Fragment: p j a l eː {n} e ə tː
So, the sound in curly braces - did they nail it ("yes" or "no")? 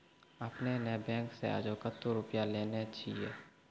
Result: yes